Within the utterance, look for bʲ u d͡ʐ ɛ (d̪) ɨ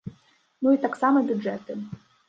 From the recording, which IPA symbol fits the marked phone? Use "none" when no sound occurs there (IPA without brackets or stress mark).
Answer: t̪